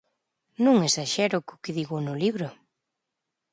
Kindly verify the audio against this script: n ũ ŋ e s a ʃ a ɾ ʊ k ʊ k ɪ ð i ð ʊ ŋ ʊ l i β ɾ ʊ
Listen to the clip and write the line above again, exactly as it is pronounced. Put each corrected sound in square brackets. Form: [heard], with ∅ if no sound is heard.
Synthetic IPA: n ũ ŋ e s a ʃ [ɛ] ɾ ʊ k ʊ k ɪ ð i [ɣ] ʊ [n] ʊ l i β ɾ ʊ